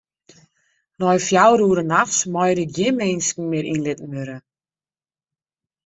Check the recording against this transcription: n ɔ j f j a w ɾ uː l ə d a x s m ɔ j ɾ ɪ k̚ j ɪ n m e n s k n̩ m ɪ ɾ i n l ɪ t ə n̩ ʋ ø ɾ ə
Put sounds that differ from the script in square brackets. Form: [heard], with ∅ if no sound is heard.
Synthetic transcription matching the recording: n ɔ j f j a w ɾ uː [ɾ] ə [n] a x s m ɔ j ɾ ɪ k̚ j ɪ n m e n s k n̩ m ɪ ɾ i n l ɪ t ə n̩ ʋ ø ɾ ə